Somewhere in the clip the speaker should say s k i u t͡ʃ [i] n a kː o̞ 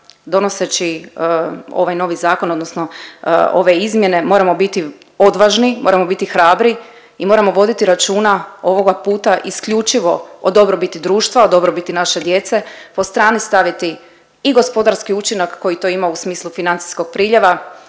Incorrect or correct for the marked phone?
correct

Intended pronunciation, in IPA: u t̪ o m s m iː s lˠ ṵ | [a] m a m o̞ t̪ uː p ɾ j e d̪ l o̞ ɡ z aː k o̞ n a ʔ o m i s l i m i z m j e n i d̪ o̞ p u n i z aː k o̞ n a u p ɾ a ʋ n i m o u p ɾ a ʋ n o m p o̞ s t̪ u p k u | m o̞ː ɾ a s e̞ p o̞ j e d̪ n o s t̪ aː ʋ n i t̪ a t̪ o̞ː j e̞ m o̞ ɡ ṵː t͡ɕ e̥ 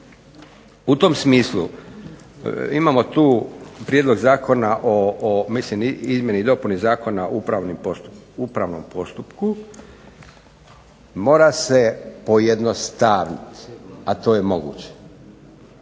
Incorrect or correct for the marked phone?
incorrect: i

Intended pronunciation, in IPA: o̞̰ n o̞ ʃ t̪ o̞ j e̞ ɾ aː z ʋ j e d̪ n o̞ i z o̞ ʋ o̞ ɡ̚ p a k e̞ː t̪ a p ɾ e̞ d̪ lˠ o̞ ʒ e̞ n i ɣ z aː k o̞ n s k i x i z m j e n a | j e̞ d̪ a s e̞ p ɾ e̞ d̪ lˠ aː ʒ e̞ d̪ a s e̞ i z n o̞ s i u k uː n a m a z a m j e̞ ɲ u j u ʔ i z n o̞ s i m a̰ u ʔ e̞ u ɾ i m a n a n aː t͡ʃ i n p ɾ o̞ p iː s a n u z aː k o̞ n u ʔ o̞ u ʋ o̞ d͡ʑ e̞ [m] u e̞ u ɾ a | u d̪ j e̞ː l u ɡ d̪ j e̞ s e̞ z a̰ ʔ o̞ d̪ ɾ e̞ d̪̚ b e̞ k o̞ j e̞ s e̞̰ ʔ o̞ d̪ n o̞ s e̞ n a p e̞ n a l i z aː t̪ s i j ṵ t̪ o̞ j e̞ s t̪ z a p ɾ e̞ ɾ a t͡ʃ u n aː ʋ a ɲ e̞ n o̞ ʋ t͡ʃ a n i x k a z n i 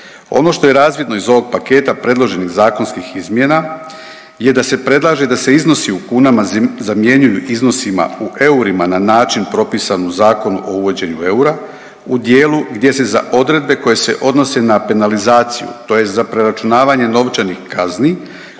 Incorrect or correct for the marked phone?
incorrect: ɲ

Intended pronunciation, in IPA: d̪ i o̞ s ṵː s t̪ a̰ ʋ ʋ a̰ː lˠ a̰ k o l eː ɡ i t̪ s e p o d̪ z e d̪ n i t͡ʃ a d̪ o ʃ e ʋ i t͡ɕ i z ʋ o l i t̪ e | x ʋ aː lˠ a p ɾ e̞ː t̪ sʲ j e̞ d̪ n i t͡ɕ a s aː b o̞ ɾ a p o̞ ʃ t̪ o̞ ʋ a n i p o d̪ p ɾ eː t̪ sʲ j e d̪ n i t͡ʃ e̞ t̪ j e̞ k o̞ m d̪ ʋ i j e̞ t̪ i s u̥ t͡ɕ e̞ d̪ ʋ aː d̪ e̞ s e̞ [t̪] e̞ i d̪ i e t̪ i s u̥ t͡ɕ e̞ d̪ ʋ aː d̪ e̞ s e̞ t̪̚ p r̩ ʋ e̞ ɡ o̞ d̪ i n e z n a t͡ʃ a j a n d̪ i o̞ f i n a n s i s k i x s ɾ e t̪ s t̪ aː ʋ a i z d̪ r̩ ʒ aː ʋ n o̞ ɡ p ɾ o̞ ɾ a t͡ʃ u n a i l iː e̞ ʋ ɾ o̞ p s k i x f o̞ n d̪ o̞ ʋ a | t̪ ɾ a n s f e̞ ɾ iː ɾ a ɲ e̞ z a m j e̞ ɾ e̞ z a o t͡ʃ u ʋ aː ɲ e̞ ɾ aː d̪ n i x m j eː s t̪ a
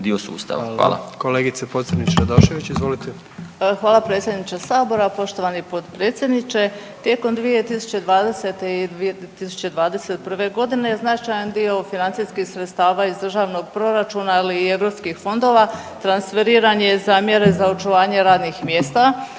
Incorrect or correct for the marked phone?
correct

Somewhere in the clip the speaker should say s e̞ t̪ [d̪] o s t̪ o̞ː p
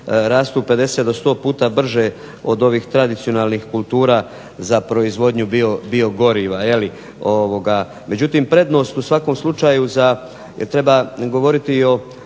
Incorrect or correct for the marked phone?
correct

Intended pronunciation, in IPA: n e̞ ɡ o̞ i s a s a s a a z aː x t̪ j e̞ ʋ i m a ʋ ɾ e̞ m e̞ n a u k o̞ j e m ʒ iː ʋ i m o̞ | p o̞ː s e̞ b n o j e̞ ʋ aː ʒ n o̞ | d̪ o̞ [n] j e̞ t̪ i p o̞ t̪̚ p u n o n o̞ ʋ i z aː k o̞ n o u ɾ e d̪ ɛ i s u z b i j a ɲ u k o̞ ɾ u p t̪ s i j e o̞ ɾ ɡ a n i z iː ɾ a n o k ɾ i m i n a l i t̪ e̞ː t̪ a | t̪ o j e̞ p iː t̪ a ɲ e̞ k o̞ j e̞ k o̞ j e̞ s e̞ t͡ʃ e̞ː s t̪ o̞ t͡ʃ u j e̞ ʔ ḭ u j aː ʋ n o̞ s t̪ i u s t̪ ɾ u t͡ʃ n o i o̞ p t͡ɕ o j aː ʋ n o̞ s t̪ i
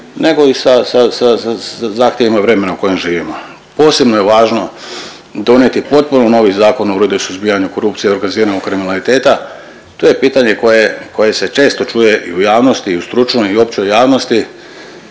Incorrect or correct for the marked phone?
correct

